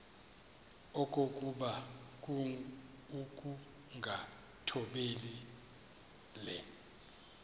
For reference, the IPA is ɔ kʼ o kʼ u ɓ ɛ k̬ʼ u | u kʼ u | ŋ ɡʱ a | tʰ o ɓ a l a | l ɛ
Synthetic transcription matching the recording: ɔ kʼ o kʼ u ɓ a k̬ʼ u | u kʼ u | ŋ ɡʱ a | tʰ ɔ ɓ e l i | l ɛ